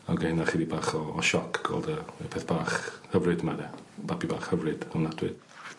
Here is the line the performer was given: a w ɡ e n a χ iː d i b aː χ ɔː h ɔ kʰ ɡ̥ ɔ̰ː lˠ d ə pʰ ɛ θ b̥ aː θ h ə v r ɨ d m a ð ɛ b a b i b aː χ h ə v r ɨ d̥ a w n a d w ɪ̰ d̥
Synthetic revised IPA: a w ɡ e n a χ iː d i b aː χ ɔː ʃ ɔ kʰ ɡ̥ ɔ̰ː lˠ d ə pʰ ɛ θ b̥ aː χ h ə v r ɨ d m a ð ɛ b a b i b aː χ h ə v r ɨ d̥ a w n a d w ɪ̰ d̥